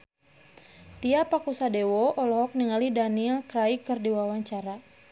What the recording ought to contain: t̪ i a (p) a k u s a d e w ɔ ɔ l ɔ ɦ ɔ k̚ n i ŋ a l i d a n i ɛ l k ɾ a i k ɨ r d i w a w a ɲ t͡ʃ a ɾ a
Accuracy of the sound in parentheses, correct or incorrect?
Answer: correct